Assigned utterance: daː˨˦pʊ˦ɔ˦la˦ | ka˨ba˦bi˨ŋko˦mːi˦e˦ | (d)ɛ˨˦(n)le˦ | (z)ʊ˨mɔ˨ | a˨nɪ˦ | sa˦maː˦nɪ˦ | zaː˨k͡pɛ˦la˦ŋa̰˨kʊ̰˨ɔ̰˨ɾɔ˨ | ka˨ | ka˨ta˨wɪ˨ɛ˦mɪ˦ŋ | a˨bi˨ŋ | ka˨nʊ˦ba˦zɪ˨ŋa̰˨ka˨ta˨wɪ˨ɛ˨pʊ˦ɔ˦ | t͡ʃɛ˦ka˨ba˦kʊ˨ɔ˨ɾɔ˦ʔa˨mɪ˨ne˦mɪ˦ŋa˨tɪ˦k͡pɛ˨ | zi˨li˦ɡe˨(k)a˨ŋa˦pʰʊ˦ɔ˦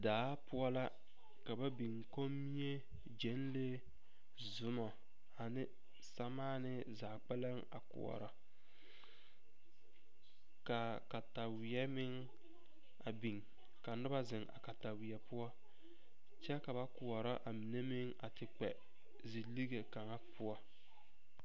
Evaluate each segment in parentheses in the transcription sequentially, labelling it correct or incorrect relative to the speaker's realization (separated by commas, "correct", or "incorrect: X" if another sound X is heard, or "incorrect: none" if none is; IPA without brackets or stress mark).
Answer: incorrect: d͡ʒ, correct, correct, correct